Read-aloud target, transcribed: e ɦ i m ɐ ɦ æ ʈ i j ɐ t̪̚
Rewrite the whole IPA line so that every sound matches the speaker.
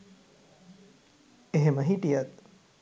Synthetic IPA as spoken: e ɦ e m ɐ ɦ i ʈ i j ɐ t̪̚